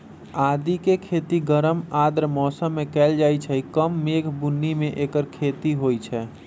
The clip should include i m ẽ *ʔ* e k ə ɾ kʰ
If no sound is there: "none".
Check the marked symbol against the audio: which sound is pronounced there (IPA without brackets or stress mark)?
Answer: ʔ